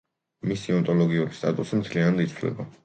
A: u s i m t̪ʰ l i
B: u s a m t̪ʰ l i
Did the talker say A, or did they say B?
A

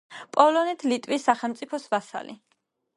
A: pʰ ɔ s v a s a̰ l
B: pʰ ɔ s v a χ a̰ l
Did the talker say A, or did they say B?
A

